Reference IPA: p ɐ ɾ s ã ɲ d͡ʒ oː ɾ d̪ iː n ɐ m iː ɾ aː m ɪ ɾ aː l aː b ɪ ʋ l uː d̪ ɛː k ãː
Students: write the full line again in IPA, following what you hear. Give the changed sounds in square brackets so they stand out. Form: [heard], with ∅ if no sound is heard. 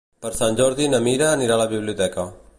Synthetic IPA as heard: p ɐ ɾ s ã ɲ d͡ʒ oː ɾ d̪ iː n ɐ m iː ɾ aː [n] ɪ ɾ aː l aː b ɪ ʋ l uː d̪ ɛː k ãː